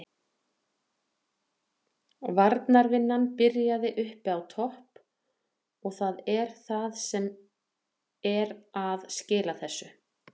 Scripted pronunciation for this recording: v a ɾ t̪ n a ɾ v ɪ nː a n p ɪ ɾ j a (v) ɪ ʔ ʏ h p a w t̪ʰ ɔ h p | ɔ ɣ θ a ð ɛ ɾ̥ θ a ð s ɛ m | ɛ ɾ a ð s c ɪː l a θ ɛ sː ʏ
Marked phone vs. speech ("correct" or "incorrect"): incorrect